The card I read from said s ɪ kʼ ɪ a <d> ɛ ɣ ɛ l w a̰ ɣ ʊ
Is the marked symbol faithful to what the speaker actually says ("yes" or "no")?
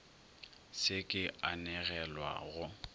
no